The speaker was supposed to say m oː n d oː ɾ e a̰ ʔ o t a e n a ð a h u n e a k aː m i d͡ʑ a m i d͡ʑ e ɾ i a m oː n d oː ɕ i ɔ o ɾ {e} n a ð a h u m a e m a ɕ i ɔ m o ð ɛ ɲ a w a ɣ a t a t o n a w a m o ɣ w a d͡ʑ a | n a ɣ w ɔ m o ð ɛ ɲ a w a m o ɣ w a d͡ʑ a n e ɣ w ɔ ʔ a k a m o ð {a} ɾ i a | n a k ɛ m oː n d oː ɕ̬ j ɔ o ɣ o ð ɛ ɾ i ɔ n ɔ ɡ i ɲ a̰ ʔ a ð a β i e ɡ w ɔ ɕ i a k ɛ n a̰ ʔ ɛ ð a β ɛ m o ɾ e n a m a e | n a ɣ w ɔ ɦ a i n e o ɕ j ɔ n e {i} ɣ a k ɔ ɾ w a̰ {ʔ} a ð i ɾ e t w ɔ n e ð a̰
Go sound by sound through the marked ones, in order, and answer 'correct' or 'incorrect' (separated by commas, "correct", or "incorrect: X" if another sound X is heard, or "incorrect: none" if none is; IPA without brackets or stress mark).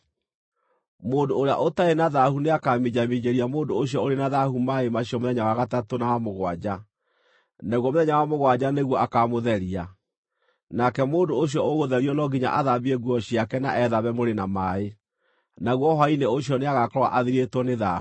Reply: correct, incorrect: ɛ, incorrect: a, correct